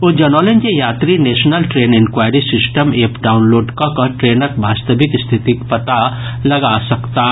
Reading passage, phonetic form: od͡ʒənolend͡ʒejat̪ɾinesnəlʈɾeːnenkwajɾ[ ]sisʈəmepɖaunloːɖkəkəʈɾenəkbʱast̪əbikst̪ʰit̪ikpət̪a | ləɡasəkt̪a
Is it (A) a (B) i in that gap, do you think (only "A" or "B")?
B